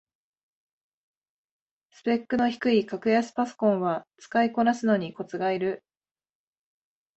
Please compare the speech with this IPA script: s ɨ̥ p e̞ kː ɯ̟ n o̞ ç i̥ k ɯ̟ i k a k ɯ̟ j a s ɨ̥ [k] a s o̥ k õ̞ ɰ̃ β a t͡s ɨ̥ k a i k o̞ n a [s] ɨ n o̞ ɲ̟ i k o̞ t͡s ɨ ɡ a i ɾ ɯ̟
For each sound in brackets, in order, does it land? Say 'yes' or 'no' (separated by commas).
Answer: no, yes